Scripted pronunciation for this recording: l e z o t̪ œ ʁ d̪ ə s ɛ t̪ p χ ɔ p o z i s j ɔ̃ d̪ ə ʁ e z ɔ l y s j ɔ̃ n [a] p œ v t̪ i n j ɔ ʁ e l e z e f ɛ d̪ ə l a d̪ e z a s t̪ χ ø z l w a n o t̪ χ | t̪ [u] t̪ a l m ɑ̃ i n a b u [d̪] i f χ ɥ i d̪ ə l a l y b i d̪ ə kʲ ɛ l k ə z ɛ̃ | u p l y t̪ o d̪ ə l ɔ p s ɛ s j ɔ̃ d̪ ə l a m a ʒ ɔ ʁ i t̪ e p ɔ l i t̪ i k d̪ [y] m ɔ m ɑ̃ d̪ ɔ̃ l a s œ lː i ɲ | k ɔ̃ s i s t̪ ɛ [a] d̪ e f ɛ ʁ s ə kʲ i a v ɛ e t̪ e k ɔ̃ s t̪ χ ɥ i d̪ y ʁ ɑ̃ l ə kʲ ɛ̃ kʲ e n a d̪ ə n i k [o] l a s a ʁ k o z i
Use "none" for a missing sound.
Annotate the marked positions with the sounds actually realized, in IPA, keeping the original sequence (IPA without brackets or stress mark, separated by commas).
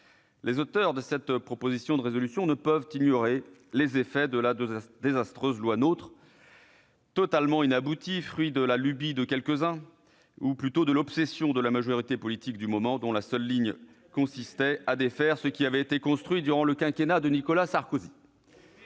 ə, ɔ, t̪, y, a, ɔ